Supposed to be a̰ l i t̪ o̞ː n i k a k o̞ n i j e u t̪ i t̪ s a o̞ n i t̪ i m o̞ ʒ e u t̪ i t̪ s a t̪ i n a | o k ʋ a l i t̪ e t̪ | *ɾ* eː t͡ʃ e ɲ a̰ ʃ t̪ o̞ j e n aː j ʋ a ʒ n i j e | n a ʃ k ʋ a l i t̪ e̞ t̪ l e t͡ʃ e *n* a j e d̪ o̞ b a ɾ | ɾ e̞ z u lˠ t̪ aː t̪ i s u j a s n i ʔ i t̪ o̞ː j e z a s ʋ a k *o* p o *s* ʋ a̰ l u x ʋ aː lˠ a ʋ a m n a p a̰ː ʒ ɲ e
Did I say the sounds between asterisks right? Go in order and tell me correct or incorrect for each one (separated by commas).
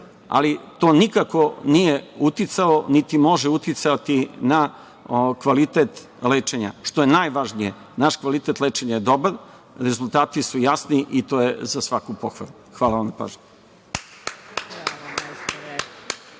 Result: incorrect, incorrect, incorrect, incorrect